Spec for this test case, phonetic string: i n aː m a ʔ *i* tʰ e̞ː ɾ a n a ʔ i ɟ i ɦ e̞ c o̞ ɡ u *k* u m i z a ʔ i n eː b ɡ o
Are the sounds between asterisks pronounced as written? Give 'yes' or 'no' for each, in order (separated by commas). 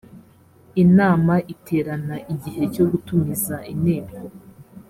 yes, no